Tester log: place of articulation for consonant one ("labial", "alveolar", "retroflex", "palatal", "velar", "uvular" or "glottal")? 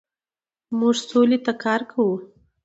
labial